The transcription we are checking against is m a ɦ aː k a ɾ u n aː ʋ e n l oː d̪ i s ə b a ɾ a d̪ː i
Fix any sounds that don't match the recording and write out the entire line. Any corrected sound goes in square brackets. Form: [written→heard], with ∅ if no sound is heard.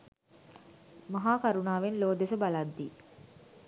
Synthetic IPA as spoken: m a ɦ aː k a ɾ u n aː ʋ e n l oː d̪ [i→e] s ə b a [ɾ→l] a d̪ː i

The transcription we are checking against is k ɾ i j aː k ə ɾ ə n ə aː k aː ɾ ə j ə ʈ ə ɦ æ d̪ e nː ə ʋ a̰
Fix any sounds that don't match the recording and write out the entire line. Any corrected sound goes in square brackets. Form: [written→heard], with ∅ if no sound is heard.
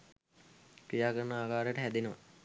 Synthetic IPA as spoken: k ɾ i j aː k ə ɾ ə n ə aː k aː ɾ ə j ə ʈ ə ɦ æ d̪ e [nː→n] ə ʋ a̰

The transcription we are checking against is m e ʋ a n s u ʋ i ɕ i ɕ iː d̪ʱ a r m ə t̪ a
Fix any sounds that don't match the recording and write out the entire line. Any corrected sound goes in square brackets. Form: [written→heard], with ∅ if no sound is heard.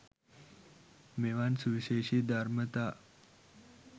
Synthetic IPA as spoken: m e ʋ a n s u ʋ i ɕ [i→e] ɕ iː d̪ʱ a [r→ɾ] m ə t̪ a

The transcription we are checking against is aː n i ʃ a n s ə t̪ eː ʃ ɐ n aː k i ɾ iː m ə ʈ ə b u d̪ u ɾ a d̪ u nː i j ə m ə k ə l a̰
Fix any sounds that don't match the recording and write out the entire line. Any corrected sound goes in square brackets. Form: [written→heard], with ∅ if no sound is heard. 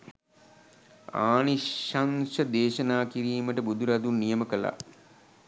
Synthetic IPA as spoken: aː n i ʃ a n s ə [t̪→d̪] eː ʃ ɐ n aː k i ɾ iː m ə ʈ ə b u d̪ u ɾ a d̪ u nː i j ə m ə k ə l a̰

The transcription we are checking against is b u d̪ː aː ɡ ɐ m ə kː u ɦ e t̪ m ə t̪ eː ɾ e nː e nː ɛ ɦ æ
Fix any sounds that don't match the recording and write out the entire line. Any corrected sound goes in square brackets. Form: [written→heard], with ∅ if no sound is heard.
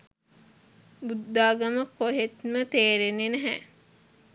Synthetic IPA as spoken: b u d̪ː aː ɡ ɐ m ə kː [u→o] ɦ e t̪ m ə t̪ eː ɾ e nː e [nː→n] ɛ ɦ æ

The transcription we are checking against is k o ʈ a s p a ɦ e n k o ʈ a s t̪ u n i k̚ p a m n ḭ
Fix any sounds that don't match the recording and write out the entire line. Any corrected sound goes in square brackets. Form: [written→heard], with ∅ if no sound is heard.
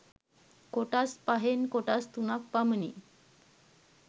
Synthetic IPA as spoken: k o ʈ a s p a ɦ e n k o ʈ a s t̪ u n [i→a] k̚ p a m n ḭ

